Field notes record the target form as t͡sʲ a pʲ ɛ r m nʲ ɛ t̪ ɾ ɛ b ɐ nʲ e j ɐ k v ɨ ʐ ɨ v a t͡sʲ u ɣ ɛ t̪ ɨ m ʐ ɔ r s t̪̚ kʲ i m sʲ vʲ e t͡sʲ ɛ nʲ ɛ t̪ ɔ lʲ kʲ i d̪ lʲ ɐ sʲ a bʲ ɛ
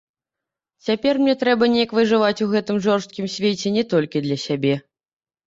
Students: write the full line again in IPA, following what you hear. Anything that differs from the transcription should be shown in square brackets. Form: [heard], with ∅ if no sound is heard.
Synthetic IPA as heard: t͡sʲ a pʲ ɛ r m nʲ ɛ t̪ ɾ ɛ b ɐ nʲ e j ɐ k v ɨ ʐ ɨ v a t͡sʲ u ɣ ɛ t̪ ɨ m ʐ ɔ r s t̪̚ kʲ i m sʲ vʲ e t͡sʲ ɛ nʲ ɛ t̪ ɔ lʲ kʲ i d̪ lʲ ɐ sʲ a bʲ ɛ